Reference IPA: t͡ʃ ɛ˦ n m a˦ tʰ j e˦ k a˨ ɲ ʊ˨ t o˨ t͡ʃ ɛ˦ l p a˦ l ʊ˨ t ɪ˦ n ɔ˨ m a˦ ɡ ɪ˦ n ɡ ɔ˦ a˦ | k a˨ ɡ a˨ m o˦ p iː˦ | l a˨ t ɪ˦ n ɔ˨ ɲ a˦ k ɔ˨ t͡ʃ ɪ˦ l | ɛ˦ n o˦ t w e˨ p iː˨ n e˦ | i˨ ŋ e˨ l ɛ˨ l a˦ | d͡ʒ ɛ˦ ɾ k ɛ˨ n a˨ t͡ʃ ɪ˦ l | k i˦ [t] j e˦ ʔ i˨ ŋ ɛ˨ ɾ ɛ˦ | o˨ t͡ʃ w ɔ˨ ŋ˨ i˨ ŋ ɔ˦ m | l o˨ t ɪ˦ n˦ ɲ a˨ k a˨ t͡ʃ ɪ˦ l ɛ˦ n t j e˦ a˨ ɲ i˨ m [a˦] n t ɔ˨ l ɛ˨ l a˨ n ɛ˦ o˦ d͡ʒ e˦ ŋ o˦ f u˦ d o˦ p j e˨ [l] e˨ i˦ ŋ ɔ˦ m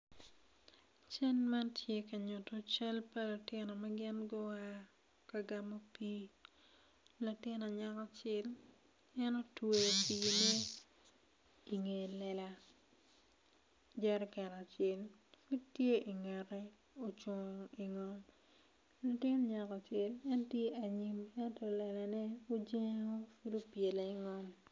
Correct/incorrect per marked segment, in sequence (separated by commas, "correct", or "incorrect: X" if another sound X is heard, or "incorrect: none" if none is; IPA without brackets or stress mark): correct, incorrect: ɛ˦, correct